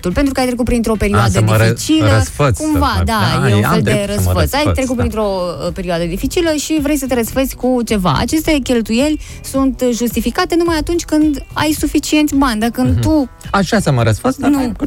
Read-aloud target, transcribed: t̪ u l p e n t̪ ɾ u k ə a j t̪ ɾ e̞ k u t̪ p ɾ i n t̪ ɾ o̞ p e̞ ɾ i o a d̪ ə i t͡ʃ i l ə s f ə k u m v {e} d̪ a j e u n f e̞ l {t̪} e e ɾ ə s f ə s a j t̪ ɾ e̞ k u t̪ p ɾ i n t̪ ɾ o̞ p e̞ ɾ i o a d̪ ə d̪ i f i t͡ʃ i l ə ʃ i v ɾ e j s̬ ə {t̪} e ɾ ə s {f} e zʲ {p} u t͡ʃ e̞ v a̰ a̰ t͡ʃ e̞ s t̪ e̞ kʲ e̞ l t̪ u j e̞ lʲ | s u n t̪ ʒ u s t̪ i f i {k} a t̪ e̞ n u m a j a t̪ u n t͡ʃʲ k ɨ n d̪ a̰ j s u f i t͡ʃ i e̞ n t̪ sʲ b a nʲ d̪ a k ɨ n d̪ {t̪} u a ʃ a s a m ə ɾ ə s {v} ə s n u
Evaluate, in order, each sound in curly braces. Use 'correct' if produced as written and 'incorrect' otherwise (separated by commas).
incorrect, incorrect, correct, correct, incorrect, correct, correct, incorrect